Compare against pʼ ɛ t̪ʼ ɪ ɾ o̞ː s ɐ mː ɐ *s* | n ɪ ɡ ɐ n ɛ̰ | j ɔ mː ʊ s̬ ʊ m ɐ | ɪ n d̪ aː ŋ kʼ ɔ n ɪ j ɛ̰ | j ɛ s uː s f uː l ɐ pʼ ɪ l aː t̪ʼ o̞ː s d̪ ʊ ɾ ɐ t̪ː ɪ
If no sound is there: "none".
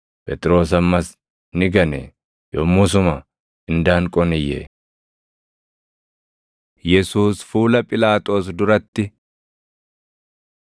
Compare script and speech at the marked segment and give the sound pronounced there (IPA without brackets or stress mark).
s